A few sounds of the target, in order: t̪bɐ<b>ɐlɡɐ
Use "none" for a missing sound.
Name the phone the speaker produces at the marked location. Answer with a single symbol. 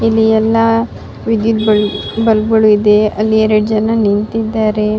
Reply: b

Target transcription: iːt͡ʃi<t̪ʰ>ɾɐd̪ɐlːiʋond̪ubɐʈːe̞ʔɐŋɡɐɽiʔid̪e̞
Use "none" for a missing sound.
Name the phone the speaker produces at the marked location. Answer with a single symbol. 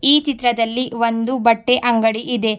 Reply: t̪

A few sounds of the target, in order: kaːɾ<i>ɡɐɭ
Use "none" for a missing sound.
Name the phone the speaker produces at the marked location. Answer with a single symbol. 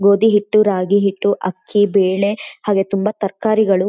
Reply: i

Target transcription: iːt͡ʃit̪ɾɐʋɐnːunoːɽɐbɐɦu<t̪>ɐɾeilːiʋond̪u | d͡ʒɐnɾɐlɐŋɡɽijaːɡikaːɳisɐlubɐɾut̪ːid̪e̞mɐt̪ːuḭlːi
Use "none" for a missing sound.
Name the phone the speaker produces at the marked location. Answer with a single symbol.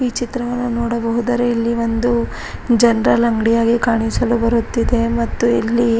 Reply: d̪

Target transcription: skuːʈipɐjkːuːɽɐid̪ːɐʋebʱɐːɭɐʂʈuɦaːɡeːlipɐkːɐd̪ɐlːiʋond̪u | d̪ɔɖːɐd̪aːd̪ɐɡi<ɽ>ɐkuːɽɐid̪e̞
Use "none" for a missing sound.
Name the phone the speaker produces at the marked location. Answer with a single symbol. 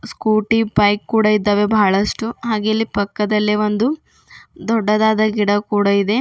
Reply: ɽ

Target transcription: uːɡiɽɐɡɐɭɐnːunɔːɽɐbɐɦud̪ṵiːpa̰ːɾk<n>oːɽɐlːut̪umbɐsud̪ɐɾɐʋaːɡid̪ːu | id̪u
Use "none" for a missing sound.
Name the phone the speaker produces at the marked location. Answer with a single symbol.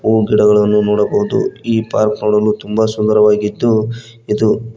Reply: n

